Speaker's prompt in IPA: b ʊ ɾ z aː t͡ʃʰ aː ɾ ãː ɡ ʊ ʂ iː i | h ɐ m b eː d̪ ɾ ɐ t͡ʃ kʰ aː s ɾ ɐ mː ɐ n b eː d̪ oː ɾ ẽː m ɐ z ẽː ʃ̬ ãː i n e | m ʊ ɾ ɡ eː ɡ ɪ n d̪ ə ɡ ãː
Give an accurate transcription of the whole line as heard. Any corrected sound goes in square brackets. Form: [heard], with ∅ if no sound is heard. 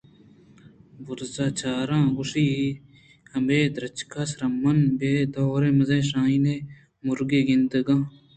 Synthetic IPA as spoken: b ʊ ɾ z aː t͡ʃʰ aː ɾ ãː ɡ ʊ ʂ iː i | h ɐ m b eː d̪ ɾ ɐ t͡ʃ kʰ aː s ɾ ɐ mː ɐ n b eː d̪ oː ɾ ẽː m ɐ z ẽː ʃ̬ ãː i n e | m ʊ ɾ ɡ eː ɡ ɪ n d̪ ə ɡ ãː